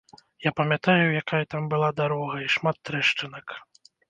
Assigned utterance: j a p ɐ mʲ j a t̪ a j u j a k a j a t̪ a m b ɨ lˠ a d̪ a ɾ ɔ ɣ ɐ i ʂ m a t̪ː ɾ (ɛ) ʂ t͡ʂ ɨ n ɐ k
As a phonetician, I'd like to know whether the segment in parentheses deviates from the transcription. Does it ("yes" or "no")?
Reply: no